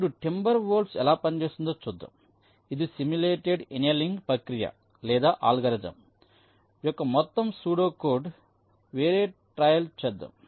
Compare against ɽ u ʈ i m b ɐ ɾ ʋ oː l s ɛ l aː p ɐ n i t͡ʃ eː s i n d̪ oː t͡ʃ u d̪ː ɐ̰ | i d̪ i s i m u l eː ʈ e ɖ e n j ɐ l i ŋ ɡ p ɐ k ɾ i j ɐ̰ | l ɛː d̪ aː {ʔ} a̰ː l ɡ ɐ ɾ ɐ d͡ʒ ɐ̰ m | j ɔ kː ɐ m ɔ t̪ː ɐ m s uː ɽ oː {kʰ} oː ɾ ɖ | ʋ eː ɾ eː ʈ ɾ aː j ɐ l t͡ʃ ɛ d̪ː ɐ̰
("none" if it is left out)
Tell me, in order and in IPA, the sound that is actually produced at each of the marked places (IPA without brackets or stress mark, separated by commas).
ʔ, k